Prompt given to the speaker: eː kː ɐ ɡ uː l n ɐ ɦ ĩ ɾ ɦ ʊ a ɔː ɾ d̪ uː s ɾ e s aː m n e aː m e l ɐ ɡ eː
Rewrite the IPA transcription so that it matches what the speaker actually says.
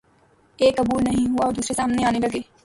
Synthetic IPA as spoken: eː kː ɐ b uː l n ɐ ɦ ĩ ɦ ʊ a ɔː ɾ d̪ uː s ɾ e s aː m n e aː n e l ɐ ɡ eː